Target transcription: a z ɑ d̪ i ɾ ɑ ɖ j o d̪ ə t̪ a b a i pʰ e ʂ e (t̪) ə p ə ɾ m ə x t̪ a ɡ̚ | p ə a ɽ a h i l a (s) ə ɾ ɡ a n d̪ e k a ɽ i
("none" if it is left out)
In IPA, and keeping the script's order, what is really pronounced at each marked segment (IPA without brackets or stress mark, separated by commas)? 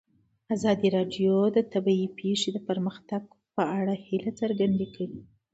d̪, t͡s